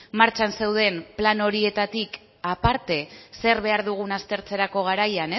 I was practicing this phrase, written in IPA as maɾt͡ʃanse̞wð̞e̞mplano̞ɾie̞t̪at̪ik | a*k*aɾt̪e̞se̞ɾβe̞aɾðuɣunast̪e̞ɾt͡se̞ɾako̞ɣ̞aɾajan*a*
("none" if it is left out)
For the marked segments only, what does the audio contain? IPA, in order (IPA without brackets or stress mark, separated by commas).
p, e